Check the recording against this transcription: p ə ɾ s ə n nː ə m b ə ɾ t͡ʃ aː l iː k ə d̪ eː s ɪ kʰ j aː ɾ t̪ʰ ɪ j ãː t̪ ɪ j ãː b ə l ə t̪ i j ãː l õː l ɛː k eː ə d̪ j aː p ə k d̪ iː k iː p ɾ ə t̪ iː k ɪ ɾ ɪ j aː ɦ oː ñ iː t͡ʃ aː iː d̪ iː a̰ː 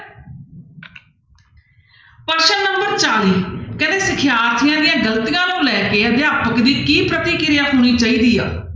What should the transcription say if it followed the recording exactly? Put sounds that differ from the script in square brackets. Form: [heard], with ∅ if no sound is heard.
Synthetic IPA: p ə ɾ [ʃ] ə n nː ə m b ə ɾ t͡ʃ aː l iː k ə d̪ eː s ɪ kʰ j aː ɾ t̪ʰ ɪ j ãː [d̪] ɪ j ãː [ɡ] ə l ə t̪ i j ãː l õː l ɛː k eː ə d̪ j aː p ə k d̪ iː k iː p ɾ ə t̪ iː k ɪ ɾ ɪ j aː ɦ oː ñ iː t͡ʃ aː iː d̪ iː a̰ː